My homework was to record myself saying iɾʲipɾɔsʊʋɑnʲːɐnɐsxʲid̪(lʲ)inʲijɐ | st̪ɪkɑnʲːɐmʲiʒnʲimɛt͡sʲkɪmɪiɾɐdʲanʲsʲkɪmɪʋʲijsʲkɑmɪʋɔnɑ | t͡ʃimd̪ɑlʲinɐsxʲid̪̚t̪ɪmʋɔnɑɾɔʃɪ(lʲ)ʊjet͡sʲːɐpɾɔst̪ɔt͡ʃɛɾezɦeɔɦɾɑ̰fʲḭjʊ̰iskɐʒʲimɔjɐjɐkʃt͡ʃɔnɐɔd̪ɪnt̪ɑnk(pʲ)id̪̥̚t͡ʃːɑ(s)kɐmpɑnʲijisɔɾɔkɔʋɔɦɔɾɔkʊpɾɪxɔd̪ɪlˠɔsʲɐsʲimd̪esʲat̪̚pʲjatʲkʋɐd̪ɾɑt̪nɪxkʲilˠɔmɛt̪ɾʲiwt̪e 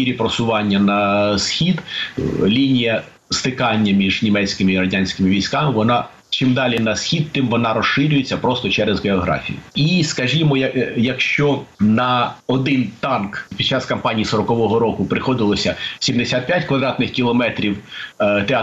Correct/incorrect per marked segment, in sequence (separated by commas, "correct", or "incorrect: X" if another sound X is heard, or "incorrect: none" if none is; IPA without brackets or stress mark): correct, incorrect: ɾʲ, correct, correct